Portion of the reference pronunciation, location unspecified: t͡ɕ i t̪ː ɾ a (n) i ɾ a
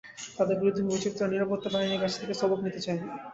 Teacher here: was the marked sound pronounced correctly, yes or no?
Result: yes